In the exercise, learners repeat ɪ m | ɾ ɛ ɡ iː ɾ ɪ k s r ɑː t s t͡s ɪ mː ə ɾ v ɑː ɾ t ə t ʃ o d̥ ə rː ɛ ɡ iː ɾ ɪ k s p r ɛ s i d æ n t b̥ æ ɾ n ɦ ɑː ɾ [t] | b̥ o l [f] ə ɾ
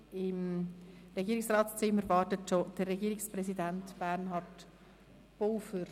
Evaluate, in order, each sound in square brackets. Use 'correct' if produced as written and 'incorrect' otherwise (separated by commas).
correct, correct